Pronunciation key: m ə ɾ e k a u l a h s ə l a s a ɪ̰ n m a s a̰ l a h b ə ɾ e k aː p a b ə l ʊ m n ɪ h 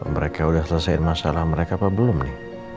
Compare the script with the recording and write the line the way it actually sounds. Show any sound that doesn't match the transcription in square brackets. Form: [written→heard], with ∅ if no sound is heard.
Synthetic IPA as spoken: m ə ɾ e k a u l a h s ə l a s a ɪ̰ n m a s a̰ l a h [b→m] ə ɾ e k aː p a b ə l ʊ m n ɪ h